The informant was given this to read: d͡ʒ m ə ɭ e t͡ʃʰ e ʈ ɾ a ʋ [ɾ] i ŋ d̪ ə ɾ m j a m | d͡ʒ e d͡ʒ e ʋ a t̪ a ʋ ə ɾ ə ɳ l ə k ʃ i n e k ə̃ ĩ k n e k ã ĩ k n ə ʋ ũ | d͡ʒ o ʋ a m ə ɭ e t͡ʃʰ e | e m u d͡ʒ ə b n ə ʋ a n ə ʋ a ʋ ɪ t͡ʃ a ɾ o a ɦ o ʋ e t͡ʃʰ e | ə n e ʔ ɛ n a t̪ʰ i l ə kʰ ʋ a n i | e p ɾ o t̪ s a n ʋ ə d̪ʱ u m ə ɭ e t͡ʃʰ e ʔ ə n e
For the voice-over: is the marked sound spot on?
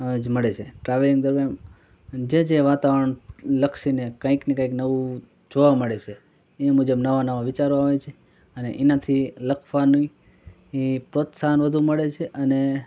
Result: no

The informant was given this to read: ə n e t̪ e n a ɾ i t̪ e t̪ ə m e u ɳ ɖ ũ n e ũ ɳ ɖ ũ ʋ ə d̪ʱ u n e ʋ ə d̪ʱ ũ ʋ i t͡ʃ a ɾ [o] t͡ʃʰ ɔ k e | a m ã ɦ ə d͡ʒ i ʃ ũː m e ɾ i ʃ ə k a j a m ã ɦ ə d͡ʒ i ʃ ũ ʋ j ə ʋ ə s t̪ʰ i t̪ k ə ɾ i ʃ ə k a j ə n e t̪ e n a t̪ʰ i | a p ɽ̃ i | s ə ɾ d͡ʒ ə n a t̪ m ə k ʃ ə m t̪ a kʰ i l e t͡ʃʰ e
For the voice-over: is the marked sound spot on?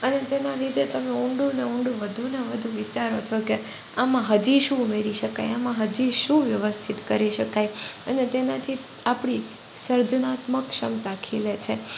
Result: yes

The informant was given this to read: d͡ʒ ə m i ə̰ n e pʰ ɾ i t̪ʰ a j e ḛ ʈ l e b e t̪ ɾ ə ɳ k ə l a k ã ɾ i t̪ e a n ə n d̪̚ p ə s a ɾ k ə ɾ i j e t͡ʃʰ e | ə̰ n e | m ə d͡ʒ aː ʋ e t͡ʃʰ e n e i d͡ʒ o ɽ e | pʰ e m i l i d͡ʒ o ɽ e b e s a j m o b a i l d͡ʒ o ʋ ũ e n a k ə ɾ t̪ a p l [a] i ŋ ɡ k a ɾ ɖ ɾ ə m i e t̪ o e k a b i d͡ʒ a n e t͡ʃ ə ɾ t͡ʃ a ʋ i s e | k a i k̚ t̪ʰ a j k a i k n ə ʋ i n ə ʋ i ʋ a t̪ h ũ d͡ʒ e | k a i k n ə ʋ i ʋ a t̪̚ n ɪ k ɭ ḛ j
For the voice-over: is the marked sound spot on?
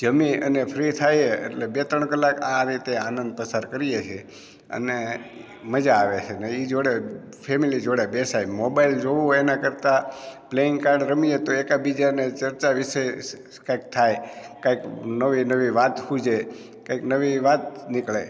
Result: no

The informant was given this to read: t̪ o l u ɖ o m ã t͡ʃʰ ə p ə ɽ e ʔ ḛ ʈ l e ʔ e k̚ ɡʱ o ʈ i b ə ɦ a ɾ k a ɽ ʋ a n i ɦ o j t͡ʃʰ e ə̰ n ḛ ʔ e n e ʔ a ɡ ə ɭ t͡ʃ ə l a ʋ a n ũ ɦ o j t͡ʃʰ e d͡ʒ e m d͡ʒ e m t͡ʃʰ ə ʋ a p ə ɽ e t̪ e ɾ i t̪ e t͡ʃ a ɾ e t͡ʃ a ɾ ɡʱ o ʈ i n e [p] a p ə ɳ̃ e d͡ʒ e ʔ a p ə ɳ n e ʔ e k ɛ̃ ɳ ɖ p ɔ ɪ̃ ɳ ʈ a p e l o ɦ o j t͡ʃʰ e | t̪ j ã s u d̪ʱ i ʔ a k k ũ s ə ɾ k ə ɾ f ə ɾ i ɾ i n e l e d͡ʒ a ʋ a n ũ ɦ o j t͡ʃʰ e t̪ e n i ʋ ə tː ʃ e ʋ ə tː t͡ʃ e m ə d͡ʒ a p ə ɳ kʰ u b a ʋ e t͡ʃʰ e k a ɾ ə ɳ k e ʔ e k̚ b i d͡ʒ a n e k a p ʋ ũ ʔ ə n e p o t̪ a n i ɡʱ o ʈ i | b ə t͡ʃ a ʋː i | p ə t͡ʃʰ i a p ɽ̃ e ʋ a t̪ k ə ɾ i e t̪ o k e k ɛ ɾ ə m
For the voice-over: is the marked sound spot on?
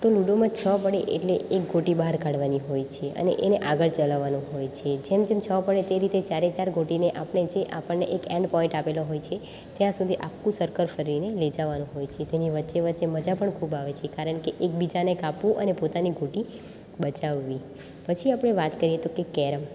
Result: no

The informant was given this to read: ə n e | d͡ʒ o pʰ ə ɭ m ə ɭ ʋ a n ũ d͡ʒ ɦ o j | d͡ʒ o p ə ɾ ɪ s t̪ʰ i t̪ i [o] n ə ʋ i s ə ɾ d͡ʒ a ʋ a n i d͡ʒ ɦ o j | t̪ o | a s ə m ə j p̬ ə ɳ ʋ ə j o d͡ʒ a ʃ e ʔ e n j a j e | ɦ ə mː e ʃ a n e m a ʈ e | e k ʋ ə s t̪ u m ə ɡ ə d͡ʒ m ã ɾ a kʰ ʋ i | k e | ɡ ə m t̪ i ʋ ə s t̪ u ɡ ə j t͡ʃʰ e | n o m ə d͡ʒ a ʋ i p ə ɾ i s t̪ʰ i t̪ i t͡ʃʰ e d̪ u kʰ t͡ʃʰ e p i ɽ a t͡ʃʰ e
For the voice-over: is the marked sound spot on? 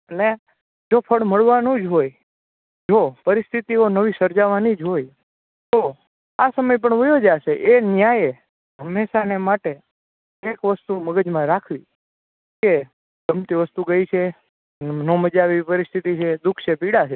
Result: yes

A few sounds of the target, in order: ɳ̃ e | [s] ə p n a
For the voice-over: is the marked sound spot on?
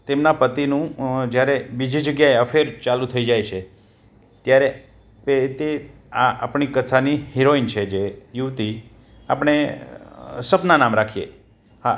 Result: yes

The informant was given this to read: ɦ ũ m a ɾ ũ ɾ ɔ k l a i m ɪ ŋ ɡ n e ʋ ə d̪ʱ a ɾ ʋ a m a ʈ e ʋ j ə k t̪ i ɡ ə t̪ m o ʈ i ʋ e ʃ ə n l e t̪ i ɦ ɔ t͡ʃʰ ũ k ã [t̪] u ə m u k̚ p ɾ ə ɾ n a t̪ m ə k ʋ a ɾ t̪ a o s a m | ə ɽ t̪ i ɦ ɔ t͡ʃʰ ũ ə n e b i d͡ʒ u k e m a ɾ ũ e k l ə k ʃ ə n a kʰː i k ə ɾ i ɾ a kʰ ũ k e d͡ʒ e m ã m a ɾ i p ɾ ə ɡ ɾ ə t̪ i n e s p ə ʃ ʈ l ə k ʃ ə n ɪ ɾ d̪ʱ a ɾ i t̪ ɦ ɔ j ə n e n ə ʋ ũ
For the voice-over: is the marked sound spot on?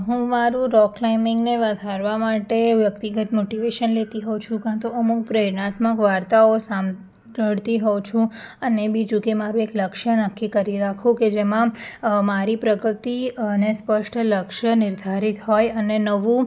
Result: yes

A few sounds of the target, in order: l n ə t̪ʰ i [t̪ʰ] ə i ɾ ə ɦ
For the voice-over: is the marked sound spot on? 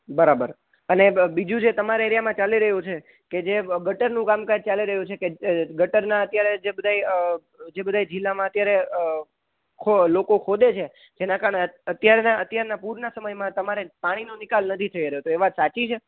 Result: yes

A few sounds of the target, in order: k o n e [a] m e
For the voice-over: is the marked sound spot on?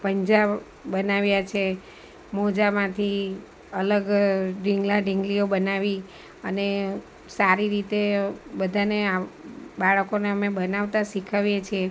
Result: no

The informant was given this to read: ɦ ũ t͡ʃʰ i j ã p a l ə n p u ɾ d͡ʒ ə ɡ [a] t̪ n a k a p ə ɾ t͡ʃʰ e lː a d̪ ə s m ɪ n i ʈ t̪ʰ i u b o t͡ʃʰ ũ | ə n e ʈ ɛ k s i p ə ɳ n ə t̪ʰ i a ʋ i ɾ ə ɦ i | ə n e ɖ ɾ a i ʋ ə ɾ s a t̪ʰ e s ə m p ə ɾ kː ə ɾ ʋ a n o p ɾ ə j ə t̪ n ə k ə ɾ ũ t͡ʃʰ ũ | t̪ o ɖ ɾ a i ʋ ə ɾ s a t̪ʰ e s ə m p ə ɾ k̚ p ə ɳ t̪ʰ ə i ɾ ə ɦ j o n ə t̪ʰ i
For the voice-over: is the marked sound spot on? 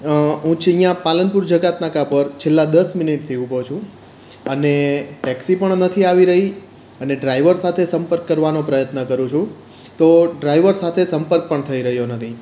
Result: yes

